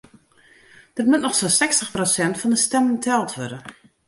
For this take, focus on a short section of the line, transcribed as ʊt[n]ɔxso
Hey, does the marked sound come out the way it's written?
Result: yes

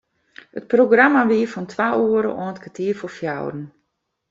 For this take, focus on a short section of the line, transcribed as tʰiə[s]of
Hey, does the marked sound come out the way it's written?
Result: no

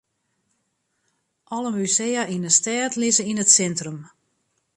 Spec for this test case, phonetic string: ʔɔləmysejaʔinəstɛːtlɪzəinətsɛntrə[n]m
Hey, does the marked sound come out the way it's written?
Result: no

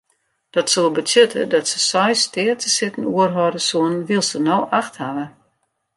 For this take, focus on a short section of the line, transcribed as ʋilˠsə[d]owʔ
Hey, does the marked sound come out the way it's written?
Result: no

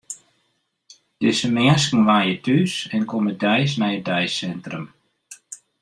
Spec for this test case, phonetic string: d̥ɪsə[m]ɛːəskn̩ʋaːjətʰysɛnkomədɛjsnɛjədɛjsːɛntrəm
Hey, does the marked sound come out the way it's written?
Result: yes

